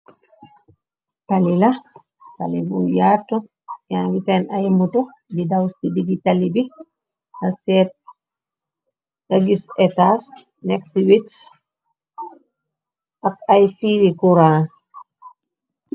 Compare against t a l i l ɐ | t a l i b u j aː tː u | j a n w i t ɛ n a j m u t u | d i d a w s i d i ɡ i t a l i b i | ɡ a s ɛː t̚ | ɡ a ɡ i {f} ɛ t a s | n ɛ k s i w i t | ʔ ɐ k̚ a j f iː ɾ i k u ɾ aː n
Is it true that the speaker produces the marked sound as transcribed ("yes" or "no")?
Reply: no